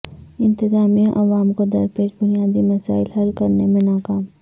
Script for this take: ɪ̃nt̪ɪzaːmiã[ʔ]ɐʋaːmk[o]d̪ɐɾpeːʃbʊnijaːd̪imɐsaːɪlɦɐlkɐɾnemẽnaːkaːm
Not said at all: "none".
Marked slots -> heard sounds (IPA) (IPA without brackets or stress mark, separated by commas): ʔ, o